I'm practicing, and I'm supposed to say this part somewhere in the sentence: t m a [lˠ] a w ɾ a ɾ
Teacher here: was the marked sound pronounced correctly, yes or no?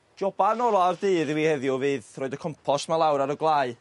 yes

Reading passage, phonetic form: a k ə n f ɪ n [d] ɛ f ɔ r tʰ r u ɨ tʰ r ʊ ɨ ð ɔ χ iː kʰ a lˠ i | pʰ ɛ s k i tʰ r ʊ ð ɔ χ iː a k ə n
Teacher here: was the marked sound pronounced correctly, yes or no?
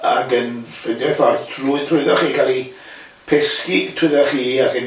yes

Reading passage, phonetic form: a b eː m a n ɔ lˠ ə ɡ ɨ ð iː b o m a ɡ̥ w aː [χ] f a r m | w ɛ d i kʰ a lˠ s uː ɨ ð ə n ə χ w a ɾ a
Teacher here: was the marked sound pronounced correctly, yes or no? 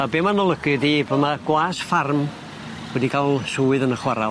no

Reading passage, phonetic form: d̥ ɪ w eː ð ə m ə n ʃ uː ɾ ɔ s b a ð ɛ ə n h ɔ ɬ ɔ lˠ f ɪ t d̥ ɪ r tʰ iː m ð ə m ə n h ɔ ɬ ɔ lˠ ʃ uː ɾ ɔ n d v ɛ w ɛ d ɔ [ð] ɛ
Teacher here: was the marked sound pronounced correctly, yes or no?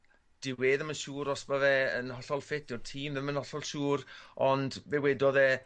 yes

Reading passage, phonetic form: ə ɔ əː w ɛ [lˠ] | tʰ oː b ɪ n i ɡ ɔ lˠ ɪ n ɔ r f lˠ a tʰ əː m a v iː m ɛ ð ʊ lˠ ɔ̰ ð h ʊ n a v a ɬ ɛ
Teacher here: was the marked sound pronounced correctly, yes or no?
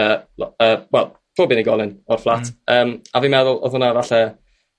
yes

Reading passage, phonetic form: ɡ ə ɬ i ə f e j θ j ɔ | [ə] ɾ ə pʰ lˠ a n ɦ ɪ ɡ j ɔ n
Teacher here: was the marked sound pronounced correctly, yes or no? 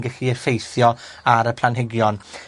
no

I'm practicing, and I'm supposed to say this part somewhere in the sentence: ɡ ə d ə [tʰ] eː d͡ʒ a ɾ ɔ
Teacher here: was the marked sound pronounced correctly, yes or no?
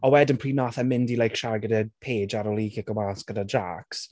no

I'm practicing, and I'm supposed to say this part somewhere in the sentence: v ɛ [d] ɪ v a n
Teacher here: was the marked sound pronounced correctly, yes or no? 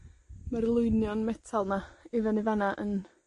no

